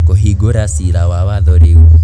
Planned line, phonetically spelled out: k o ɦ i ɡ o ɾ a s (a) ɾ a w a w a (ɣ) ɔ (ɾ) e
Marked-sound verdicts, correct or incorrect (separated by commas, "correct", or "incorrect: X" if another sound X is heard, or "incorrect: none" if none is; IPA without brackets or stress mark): incorrect: i, incorrect: ð, correct